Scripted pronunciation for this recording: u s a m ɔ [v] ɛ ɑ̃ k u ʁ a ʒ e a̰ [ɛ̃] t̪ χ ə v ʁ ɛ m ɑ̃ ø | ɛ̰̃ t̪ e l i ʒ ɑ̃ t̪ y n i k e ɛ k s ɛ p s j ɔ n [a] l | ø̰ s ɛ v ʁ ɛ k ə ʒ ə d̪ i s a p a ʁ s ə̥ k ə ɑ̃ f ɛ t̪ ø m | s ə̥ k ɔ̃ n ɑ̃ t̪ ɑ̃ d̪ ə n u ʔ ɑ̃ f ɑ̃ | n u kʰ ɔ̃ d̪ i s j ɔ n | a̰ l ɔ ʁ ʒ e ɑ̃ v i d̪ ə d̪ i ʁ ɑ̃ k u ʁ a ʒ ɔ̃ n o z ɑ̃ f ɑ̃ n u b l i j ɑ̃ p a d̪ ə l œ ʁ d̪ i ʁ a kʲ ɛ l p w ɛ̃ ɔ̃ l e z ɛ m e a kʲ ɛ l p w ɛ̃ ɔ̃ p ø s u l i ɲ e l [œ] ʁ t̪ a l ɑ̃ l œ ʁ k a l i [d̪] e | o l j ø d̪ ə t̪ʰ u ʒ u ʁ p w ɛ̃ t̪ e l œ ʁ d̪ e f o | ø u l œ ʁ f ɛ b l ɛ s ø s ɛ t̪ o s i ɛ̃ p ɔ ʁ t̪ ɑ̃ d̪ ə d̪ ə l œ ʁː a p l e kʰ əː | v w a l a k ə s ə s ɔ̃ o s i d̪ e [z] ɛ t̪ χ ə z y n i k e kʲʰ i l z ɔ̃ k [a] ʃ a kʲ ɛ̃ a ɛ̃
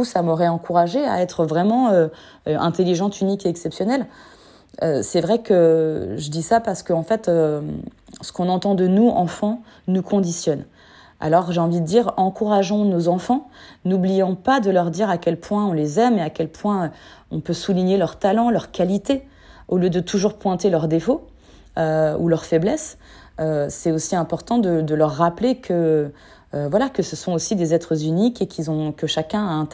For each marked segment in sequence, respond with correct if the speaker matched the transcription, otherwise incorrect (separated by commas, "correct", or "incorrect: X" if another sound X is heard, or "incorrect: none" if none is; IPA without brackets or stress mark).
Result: incorrect: ʁ, incorrect: ɛ, incorrect: ɛ, correct, incorrect: t̪, correct, incorrect: ə